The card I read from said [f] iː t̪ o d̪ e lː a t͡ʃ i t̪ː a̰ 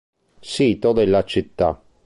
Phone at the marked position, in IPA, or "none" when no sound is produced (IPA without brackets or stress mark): s